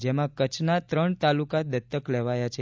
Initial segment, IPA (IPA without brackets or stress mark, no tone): d͡ʒ